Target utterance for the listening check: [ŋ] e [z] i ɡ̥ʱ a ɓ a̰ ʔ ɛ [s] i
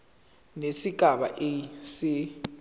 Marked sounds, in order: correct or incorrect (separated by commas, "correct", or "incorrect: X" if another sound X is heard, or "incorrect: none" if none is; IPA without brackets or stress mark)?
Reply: incorrect: n, incorrect: s, correct